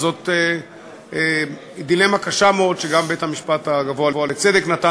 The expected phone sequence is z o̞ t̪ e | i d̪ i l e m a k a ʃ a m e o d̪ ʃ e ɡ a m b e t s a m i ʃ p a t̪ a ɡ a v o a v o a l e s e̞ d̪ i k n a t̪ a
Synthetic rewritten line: z o̞ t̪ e | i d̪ i l e m a k a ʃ a m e o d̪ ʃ e ɡ a m b e t h a m i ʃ p a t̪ a ɡ a v o a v o a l e t͡s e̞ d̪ e k n a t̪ a